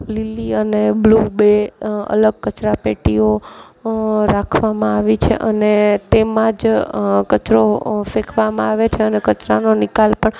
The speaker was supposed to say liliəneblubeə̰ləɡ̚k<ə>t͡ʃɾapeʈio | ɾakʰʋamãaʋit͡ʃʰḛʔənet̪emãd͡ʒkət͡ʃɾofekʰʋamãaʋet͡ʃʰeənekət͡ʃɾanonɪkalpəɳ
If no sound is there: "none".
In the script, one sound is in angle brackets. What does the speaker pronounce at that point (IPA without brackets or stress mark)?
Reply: ə